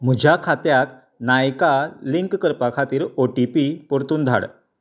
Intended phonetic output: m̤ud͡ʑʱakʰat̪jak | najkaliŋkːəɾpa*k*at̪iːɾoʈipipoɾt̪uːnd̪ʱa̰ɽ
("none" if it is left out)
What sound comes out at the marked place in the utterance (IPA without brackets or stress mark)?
kʰ